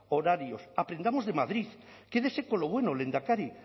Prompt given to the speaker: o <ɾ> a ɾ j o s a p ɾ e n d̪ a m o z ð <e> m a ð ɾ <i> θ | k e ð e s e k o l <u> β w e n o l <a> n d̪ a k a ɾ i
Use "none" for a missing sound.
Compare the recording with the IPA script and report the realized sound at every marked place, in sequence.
ɾ, e, i, o, e

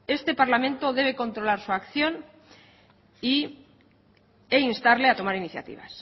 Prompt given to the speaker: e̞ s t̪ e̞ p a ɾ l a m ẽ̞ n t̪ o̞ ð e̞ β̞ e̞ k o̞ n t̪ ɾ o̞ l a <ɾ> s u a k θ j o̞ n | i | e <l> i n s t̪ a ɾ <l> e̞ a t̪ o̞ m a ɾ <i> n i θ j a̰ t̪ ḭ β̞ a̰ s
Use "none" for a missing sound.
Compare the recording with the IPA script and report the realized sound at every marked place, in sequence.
ɾ, none, l, i

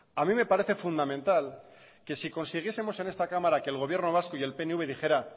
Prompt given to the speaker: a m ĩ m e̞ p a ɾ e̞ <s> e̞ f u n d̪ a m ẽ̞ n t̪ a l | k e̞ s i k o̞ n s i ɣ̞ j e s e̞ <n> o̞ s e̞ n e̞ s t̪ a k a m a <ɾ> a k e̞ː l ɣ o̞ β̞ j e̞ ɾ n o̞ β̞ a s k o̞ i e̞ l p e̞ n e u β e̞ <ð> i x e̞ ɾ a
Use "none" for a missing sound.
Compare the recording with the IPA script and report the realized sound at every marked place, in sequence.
θ, m, ɾ, ð

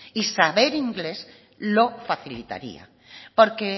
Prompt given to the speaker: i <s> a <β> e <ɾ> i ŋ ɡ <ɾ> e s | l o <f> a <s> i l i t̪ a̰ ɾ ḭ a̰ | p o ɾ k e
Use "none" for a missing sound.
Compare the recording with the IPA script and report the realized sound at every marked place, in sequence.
s, β, ɾ, l, f, θ

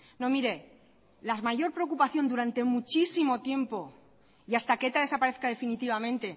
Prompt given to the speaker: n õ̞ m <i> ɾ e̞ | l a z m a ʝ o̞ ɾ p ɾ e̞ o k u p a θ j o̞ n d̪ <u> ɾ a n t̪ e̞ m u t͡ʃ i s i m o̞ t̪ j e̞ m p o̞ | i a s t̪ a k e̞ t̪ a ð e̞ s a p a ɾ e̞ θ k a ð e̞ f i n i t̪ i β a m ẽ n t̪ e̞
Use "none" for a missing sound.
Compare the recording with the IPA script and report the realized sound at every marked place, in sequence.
i, u

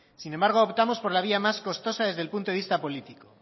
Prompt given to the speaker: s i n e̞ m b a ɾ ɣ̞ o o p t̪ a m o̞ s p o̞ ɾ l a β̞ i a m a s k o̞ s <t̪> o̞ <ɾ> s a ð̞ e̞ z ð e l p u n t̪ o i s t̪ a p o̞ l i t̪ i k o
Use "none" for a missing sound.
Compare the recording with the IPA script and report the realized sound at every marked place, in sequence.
t̪, none

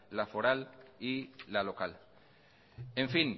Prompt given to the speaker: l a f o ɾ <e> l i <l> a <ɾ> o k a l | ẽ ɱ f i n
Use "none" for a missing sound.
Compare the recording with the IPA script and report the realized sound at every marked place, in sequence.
a, l, l

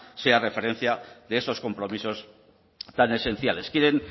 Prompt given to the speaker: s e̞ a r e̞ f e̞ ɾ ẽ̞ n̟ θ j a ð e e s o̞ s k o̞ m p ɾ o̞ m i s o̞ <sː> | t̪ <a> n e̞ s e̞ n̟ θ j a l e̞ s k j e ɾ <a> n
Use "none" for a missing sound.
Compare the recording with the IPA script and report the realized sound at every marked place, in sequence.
s, a, e

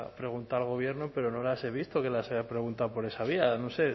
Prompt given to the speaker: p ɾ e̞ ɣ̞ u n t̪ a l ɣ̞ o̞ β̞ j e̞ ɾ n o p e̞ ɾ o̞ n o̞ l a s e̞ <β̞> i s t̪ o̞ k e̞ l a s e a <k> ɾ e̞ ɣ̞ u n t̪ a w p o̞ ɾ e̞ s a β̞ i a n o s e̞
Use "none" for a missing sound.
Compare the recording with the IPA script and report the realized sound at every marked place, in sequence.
β̞, p

